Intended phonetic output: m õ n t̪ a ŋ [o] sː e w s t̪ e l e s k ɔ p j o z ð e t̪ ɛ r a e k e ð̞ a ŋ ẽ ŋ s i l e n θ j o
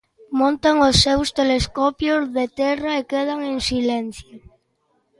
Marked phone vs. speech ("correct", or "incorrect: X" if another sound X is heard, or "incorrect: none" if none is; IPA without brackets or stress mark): correct